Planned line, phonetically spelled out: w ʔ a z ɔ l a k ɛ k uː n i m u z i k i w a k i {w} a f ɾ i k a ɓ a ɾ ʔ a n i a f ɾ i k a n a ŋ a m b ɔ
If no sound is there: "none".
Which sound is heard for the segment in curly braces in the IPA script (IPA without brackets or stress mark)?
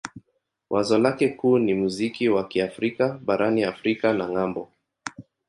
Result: none